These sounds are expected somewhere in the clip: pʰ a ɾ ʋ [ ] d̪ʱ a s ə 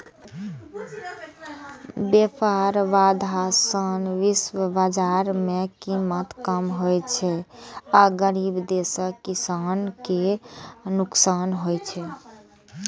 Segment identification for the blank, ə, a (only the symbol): a